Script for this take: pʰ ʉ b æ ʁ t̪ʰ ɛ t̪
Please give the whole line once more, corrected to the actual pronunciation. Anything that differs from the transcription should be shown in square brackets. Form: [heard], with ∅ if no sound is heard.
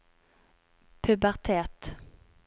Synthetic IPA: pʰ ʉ b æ ʁ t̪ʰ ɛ t̪